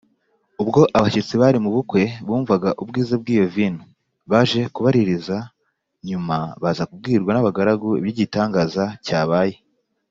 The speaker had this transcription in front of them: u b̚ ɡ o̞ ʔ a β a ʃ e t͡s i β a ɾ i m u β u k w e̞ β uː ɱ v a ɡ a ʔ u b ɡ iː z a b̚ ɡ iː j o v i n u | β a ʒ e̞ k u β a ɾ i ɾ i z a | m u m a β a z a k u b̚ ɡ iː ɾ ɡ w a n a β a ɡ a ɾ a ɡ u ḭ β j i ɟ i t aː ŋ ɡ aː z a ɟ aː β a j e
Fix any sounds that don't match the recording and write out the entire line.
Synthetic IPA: u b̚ ɡ o̞ ʔ a β a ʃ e t͡s i β a ɾ i m u β u k w e̞ β uː ɱ v a ɡ a ʔ u b ɡ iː z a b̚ ɡ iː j o v i n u | β a ʒ e̞ k u β a ɾ i ɾ i z a | ɲ u m a β a z a k u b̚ ɡ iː ɾ ɡ w a n a β a ɡ a ɾ a ɡ u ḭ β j i ɟ i t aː ŋ ɡ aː z a c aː β a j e